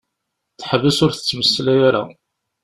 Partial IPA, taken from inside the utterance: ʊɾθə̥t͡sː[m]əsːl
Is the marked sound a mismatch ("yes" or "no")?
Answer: no